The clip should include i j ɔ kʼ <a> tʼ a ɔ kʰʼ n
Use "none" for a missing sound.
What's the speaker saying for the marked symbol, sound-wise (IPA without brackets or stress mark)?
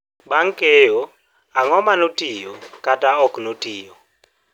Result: a